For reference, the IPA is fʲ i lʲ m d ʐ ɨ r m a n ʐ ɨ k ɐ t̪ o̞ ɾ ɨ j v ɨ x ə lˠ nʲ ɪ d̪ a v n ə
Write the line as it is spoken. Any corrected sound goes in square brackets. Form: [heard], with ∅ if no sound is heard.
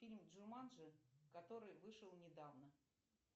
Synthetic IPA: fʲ i lʲ m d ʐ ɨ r m a n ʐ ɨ k ɐ t̪ o̞ ɾ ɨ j v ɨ [ʂ] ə lˠ nʲ ɪ d̪ a v n ə